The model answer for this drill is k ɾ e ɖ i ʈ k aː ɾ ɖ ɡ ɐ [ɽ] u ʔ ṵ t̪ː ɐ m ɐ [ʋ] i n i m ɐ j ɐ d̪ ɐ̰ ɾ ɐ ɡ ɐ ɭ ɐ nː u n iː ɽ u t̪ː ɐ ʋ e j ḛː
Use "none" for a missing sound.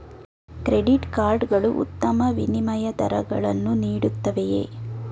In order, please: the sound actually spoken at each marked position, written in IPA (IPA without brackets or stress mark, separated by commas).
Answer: ɭ, ʋ